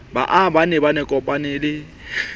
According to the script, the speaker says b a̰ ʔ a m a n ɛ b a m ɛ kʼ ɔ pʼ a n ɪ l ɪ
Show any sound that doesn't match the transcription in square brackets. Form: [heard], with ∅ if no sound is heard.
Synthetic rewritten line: b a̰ ʔ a [b] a n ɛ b a [n] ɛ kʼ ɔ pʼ a n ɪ l ɪ